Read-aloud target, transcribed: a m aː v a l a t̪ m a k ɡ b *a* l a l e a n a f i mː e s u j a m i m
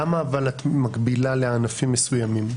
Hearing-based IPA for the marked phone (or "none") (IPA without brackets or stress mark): i